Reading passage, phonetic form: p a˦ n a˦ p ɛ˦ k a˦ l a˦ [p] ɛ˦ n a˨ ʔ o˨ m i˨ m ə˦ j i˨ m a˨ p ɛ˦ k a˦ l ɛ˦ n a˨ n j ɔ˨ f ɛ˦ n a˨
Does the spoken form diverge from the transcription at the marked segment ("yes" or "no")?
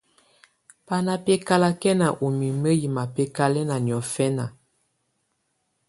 yes